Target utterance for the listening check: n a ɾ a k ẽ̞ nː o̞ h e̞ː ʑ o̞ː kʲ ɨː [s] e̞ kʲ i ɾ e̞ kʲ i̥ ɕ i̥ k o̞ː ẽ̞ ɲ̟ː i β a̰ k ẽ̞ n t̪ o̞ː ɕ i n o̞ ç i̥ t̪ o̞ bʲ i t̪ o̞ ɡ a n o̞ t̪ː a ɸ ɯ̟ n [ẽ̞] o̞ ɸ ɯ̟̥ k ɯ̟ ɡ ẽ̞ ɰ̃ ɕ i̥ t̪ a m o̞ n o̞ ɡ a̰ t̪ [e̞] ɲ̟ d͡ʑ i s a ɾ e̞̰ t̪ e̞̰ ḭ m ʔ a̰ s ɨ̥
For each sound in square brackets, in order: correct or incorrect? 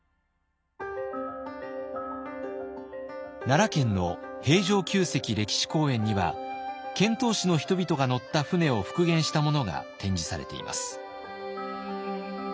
correct, incorrect: e̞, incorrect: ẽ̞

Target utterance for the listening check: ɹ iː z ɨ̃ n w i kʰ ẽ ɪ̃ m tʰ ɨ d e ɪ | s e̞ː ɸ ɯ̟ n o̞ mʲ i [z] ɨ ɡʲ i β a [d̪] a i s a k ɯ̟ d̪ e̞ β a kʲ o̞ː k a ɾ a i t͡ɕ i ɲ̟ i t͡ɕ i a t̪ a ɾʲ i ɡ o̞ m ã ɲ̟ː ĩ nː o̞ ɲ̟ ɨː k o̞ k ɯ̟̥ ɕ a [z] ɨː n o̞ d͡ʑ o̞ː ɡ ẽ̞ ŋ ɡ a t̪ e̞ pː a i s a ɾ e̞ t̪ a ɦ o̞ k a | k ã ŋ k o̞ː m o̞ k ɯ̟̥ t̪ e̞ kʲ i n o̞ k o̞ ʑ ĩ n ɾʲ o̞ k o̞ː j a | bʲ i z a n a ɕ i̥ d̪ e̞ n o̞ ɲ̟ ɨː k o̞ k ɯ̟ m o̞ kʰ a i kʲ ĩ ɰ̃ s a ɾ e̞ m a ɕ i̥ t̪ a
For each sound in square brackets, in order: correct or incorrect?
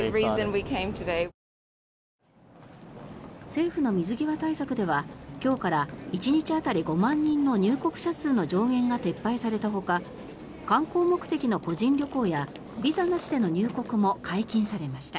correct, incorrect: t̪, incorrect: s

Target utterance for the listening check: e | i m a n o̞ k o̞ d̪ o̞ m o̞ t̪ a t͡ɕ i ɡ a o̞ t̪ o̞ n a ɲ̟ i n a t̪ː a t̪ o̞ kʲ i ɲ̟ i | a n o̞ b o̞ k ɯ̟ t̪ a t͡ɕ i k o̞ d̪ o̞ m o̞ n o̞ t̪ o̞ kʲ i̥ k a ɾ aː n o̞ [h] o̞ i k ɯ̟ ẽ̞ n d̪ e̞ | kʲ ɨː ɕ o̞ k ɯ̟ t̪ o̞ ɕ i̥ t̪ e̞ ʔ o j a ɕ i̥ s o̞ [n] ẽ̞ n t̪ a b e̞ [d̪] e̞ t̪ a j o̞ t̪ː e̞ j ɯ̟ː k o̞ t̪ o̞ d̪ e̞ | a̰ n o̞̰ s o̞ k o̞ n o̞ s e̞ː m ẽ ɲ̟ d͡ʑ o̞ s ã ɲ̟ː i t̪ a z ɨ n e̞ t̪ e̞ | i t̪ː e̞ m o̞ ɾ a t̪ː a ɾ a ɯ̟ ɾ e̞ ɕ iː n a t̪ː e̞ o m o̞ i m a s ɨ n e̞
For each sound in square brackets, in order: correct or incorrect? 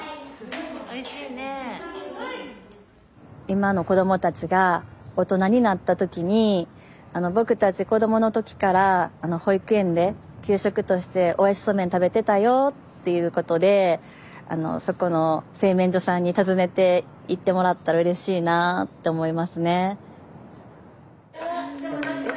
correct, incorrect: m, incorrect: t̪

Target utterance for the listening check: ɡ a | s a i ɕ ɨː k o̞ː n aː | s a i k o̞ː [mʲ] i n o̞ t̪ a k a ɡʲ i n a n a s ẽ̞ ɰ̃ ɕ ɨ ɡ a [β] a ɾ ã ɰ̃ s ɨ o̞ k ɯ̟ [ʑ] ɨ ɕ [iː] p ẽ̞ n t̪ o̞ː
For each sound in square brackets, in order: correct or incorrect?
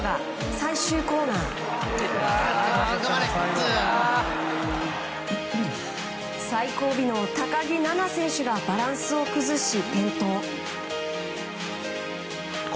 incorrect: bʲ, incorrect: b, incorrect: z, incorrect: i

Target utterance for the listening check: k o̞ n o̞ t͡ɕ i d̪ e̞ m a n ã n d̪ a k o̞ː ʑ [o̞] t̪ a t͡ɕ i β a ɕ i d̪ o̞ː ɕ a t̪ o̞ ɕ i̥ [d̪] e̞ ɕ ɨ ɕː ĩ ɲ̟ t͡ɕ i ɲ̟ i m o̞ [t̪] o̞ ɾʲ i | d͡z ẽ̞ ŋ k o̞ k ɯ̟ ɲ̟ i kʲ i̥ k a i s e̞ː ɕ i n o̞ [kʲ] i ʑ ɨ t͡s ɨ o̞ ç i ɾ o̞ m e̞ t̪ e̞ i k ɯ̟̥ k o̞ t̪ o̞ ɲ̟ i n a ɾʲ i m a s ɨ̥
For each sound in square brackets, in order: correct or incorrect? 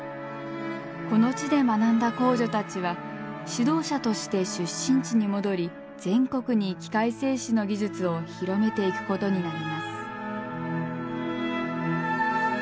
correct, incorrect: t̪, incorrect: d̪, incorrect: ɡʲ

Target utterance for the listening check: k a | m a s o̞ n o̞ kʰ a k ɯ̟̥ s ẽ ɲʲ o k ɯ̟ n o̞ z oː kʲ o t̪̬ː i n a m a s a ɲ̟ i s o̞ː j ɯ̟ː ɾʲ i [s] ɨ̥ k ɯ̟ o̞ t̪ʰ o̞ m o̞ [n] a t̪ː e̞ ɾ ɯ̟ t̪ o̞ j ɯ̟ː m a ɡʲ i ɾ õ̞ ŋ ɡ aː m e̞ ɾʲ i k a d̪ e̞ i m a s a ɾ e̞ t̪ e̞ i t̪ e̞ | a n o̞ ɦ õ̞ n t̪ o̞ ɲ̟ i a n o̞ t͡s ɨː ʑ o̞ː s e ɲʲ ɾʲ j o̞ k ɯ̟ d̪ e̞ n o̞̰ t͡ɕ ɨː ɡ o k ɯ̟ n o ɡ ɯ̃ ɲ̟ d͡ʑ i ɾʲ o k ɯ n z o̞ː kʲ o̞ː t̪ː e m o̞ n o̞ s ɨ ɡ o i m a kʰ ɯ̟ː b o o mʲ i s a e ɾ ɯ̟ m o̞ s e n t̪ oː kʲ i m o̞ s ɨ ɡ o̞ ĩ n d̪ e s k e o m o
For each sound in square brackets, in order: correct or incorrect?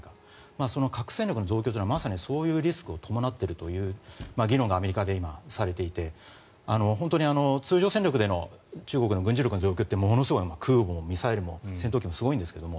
correct, correct

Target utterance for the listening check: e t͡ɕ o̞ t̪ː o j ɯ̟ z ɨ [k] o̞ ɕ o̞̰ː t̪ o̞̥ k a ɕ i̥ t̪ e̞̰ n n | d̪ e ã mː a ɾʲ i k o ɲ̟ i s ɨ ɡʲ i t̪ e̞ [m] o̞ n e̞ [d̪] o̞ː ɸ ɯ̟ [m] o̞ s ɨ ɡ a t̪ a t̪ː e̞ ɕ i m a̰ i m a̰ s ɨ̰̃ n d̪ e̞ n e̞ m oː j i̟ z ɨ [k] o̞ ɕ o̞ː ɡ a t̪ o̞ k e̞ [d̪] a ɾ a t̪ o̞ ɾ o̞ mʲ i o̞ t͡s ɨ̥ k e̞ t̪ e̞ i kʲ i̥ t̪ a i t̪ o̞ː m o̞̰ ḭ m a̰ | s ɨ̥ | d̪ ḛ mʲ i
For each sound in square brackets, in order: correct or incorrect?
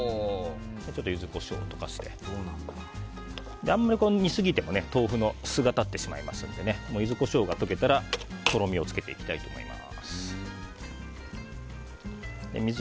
correct, correct, incorrect: t̪, incorrect: n, correct, incorrect: t̪

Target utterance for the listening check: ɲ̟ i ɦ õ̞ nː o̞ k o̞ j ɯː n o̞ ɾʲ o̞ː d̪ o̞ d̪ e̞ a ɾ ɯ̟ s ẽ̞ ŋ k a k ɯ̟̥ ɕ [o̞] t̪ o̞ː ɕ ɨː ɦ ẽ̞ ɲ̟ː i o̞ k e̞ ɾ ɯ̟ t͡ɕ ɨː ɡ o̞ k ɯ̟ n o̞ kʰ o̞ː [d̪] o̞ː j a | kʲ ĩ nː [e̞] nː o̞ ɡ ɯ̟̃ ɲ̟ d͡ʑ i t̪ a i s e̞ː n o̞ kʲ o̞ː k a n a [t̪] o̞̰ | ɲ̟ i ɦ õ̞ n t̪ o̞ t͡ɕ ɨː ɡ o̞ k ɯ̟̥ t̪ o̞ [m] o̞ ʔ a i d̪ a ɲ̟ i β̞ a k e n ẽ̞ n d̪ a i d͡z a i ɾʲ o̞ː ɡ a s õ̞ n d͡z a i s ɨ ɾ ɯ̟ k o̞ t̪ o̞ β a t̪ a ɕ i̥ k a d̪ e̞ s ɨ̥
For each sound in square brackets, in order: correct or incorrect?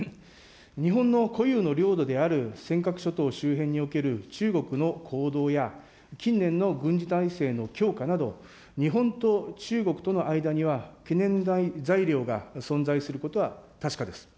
correct, correct, incorrect: ẽ̞, incorrect: d̪, incorrect: n

